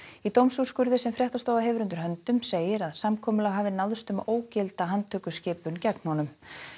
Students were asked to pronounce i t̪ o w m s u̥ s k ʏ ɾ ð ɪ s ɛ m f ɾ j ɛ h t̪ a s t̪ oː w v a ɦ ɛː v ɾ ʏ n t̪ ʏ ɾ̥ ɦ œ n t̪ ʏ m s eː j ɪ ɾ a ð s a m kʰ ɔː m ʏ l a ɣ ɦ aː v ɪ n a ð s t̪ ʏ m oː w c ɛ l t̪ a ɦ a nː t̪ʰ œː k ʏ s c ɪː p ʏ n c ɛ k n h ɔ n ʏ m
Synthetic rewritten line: i t̪ o w m s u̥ s k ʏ ɾ ð ɪ s ɛ m f ɾ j ɛ h t̪ a s t̪ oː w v a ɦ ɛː v ɾ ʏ n t̪ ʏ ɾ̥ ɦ œ n t̪ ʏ m s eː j ɪ ɾ a ð s a m kʰ ɔː m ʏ l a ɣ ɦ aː v ɪ n a ð s t̪ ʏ m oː w c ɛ l t̪ a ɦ a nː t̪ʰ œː k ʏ s c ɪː p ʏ n c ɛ k n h ɔ n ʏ m